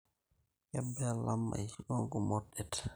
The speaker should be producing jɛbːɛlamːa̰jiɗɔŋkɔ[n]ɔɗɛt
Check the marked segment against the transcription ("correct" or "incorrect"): incorrect